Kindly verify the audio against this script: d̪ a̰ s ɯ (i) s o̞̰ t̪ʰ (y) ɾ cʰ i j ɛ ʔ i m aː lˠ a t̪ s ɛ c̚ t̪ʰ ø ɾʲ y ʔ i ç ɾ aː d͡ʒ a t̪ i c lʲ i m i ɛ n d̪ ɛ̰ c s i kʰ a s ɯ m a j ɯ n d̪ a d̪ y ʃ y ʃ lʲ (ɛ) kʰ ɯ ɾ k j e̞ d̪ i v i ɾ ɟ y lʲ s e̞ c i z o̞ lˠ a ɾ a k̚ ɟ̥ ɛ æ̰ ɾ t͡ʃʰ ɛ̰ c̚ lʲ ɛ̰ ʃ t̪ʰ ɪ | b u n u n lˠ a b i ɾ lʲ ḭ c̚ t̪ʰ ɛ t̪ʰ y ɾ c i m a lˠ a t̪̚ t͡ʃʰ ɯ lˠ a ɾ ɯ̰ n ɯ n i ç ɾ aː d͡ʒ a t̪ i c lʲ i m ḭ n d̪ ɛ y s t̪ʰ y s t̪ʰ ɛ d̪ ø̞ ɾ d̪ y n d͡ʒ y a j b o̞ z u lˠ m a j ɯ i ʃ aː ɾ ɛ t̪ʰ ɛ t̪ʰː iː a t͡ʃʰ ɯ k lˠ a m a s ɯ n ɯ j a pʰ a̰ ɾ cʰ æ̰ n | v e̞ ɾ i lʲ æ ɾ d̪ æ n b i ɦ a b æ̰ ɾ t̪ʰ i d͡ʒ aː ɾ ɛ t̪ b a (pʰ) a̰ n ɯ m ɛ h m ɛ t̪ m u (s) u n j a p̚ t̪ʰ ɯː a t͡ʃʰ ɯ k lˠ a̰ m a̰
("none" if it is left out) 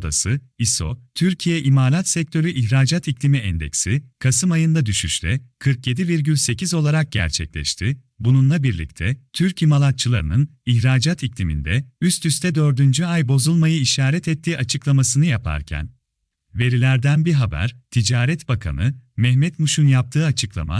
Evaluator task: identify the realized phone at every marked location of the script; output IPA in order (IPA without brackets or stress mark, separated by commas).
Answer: i, y, ɛ, kʰ, ʃ